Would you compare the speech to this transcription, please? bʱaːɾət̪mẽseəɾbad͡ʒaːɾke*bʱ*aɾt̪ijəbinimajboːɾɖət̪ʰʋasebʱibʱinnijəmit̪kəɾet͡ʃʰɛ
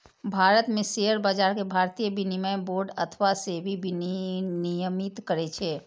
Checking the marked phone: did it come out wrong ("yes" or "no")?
no